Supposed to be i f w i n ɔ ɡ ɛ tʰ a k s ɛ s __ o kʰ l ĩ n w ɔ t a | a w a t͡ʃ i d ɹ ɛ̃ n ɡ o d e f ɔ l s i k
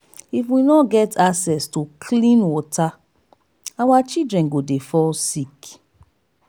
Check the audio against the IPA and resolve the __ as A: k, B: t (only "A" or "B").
B